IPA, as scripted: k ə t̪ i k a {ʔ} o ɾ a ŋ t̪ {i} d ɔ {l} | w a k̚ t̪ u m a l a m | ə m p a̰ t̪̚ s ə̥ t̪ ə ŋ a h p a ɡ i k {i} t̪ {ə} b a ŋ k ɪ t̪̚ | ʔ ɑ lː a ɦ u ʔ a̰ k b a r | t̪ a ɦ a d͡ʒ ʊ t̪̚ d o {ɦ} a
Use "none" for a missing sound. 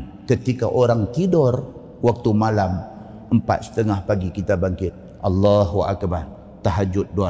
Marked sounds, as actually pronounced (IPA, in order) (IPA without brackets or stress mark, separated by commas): ʔ, i, r, i, a, none